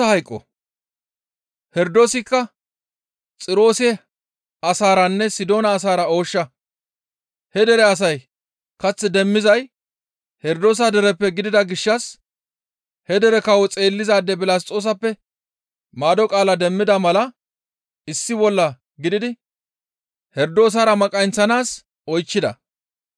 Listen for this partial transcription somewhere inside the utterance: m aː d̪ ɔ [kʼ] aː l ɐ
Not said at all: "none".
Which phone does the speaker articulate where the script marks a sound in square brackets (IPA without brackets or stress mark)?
kʼ